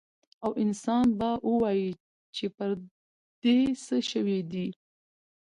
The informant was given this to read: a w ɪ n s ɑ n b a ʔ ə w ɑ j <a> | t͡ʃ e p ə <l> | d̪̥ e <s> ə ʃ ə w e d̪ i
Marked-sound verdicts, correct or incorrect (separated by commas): incorrect, incorrect, correct